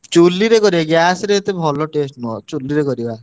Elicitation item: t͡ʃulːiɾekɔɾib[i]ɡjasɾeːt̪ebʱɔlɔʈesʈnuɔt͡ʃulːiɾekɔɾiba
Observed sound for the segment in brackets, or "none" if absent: a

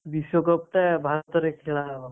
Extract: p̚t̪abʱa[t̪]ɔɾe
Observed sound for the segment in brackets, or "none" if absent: t̪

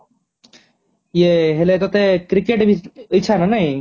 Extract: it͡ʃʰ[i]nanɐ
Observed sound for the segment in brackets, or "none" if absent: a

